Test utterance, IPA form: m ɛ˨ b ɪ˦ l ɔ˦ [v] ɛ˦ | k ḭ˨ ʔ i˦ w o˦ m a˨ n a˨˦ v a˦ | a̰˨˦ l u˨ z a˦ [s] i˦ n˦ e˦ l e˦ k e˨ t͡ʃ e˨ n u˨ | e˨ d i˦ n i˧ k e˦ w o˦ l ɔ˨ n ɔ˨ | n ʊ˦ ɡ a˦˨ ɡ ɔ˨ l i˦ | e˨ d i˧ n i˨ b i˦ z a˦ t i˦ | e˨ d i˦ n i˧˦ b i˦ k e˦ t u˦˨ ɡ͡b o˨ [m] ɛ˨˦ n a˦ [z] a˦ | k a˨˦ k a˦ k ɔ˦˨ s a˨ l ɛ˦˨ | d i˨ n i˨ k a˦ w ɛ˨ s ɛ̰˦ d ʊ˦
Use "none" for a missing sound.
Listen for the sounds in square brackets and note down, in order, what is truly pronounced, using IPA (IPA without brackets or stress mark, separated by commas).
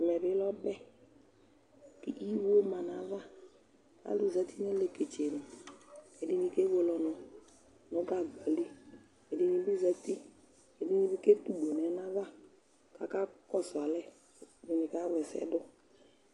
b, t, n, v